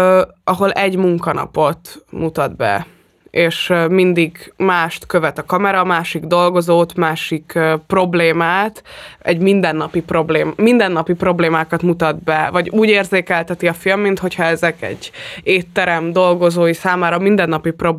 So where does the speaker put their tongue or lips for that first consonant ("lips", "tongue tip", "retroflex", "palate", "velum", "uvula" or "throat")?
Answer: throat